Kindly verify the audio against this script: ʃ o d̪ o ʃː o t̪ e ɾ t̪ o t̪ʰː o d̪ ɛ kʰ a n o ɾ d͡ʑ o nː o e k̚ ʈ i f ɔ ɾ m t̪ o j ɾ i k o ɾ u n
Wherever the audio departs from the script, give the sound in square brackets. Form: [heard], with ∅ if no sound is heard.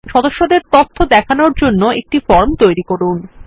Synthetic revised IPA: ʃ [ɔ] d̪ o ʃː o [d̪] e ɾ t̪ o t̪ʰː o d̪ ɛ kʰ a n o ɾ d͡ʑ o nː o e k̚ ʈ i f ɔ ɾ m t̪ o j ɾ i k o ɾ u n